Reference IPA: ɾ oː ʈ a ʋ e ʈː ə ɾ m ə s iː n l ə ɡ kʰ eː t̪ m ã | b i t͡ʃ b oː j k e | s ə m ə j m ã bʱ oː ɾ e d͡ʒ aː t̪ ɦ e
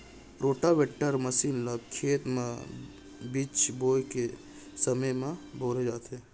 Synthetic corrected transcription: ɾ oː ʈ a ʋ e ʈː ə ɾ m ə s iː n l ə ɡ kʰ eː t̪ m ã | b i t͡ʃ b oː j k e | s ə m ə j m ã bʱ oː ɾ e d͡ʒ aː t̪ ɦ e